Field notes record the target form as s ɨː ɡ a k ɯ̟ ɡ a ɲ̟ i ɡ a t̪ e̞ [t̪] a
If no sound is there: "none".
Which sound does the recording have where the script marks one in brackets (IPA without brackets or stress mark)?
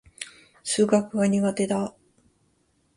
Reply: d̪